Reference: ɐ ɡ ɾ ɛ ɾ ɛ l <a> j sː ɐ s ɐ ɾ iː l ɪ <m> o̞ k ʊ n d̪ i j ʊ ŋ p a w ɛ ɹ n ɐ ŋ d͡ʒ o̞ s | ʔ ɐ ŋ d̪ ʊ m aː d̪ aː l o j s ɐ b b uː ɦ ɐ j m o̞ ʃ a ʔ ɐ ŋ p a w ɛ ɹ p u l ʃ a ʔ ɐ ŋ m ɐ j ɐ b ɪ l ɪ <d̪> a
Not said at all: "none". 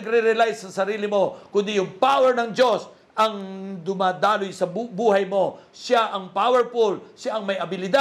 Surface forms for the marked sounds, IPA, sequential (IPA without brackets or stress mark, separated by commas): a, m, d̪